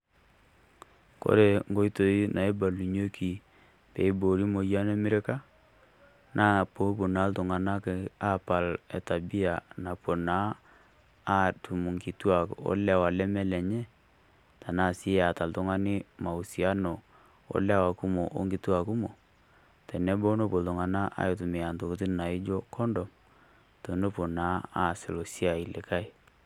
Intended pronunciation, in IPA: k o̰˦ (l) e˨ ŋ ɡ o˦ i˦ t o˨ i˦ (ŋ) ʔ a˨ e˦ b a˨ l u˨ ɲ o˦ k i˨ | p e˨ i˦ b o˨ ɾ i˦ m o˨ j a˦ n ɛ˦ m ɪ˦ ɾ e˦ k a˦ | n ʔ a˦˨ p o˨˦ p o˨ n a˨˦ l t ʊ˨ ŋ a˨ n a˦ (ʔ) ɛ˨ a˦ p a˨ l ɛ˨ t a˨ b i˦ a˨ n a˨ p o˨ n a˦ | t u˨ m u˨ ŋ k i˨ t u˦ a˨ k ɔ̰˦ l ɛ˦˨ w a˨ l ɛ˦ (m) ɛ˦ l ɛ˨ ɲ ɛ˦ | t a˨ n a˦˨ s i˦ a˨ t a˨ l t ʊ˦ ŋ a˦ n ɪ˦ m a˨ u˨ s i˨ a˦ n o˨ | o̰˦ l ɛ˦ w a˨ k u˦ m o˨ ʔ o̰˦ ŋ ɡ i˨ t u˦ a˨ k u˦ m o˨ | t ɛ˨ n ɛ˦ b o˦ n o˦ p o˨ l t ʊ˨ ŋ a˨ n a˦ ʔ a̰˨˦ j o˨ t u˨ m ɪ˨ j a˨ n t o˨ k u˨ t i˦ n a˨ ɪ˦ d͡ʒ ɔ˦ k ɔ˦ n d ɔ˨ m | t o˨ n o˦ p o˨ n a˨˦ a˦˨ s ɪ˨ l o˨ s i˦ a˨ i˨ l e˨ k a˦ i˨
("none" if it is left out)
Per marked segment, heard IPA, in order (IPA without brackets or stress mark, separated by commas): ɾ, n, k, m